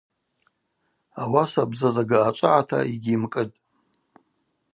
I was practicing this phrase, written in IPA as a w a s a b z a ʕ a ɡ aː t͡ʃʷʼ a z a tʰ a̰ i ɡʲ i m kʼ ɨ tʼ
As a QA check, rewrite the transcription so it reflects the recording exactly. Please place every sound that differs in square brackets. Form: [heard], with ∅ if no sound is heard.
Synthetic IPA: a w a s a b z a [z] a ɡ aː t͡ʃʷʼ a [ʕ] a tʰ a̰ i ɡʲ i m kʼ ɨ tʼ

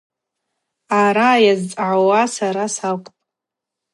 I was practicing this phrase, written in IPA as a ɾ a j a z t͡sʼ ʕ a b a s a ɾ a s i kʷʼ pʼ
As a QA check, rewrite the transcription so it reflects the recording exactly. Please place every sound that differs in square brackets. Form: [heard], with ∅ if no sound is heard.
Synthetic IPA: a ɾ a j a z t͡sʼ ʕ a [w] a s a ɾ a s [a] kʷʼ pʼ

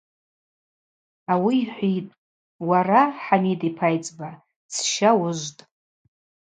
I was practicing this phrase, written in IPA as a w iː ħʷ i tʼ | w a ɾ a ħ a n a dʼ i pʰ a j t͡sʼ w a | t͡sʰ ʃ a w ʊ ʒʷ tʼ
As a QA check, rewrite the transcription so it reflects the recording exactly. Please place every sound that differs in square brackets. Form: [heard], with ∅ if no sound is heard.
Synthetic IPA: a w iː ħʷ i tʼ | w a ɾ a ħ a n [i] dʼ i pʰ a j t͡sʼ [b] a | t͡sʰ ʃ a w ʊ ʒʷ tʼ

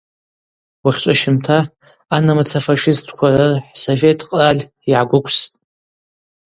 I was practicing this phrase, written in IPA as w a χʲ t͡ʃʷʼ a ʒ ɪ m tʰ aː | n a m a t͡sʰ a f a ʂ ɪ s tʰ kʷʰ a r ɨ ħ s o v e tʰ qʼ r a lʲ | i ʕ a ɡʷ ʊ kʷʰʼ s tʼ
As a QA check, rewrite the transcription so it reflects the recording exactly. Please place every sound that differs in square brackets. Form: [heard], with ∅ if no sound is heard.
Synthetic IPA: w a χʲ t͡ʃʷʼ a [ʃ] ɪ m tʰ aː | n a m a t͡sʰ a f a ʂ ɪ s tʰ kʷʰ a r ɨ ħ s o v e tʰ qʼ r a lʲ | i ʕ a ɡʷ ʊ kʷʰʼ s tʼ

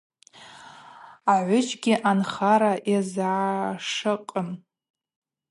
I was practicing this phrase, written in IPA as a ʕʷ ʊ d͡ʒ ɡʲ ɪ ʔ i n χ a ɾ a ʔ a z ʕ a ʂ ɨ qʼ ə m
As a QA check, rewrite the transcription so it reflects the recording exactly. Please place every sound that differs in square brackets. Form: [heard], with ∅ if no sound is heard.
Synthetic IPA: a ʕʷ ʊ d͡ʒ ɡʲ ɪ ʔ [a] n χ a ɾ a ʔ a z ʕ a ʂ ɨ qʼ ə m

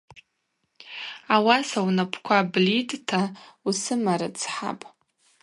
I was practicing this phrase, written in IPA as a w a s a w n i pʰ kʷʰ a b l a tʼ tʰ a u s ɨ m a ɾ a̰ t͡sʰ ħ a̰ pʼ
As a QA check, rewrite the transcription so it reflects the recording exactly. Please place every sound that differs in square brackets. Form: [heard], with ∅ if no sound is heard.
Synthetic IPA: a w a s a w n [a] pʰ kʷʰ a b l [i] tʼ tʰ a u s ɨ m a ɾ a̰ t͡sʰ ħ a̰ pʼ

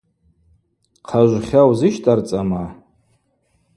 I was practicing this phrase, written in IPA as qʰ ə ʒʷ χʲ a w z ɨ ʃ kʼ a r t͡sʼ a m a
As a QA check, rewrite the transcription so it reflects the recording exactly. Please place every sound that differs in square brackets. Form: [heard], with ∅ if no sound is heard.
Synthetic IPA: qʰ [a] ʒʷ χʲ a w z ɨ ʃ [tʼ] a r t͡sʼ a m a

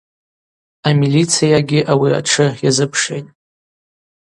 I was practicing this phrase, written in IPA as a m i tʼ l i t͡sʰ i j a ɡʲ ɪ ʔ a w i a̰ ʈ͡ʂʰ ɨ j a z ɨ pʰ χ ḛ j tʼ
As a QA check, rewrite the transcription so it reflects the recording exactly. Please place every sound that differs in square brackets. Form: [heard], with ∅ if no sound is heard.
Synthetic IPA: a m i [∅] l i t͡sʰ i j a ɡʲ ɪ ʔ a w i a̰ ʈ͡ʂʰ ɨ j a z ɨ pʰ [ʂ] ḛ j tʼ

